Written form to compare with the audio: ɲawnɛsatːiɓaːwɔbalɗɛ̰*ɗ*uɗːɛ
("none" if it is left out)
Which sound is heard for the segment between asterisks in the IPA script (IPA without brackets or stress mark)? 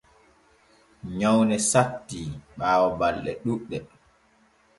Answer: ɗ